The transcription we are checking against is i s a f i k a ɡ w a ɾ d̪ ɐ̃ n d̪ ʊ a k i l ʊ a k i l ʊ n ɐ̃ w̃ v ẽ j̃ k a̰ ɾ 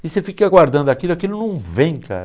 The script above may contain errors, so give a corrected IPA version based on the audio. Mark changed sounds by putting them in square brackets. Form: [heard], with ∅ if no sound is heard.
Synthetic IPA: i s [e] f i k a ɡ w a ɾ d̪ ɐ̃ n d̪ ʊ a k i l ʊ a k i l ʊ n ɐ̃ w̃ v ẽ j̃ k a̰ ɾ